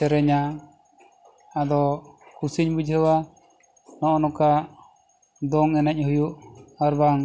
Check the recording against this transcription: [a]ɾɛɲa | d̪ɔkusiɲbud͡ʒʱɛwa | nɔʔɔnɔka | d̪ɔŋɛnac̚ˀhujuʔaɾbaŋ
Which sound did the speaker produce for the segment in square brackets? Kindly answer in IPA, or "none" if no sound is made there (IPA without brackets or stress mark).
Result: ɛ